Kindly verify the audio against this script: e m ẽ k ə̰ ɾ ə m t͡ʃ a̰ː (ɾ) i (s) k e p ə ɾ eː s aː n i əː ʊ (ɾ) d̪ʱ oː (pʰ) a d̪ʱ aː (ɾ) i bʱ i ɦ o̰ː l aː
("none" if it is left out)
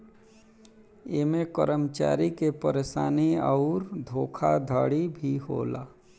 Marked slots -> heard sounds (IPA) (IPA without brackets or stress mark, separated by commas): ɾ, none, ɾ, kʰ, ɽ